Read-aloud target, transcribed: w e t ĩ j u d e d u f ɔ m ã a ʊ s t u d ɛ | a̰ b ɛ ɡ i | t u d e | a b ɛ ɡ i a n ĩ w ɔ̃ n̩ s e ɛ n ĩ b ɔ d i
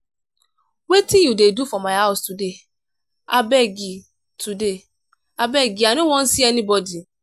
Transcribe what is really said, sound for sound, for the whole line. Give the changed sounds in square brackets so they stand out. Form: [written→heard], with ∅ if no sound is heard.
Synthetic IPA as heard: w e t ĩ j u d e d u f ɔ m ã a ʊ s t u d [ɛ→e] | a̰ b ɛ ɡ i | t u d e | a b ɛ ɡ i a n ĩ w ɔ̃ n̩ s [e→i] ɛ n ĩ b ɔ d i